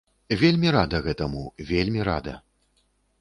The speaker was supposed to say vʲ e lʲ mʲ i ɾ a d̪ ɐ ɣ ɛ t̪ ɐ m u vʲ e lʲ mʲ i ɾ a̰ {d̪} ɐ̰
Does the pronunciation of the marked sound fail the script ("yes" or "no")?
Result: no